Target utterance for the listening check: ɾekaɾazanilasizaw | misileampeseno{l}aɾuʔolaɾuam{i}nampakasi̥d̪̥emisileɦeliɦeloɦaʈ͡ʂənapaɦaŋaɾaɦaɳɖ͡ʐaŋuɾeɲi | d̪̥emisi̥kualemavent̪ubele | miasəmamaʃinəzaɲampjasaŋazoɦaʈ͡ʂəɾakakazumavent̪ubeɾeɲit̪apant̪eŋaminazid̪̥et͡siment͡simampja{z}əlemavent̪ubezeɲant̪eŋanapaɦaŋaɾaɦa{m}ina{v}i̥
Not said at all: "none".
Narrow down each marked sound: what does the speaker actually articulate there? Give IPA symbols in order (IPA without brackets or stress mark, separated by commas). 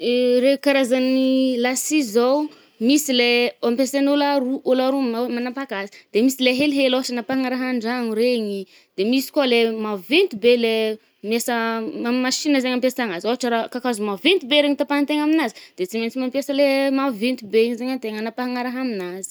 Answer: l, a, s, m, z